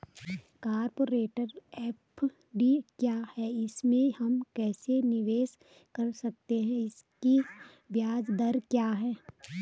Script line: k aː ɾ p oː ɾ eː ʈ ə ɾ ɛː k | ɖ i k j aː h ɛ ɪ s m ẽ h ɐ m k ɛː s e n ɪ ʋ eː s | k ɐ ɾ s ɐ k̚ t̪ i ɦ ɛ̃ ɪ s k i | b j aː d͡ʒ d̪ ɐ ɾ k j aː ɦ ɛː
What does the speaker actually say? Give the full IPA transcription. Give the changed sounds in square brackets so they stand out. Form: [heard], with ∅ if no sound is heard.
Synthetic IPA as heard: k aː ɾ p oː ɾ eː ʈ ə ɾ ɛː [p] | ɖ i k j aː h ɛ ɪ s m ẽ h ɐ m k ɛː s e n ɪ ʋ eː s | k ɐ ɾ s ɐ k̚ t̪ [e] ɦ ɛ̃ ɪ s k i | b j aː d͡ʒ d̪ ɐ ɾ k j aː ɦ ɛː